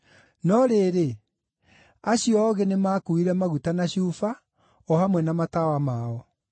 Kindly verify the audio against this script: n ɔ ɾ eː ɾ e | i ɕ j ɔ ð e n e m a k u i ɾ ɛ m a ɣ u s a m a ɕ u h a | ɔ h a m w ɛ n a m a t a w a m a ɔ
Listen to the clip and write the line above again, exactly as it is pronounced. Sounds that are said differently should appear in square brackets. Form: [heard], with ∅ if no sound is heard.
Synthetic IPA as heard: n ɔ ɾ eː ɾ e | [a] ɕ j ɔ [ɣ] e n e m a k u i ɾ ɛ m a ɣ u [t] a [n] a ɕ u [f] a | ɔ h a m w ɛ n a m a t a w a m a ɔ